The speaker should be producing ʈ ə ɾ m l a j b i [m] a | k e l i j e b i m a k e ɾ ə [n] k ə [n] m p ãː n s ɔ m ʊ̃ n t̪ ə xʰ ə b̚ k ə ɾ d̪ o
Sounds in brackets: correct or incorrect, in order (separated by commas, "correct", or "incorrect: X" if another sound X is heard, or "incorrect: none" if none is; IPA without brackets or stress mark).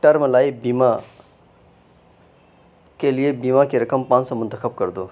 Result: correct, incorrect: none, incorrect: none